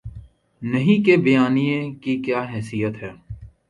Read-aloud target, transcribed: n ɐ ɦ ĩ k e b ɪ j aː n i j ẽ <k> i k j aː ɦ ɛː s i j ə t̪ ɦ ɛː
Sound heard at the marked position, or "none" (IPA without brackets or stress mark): k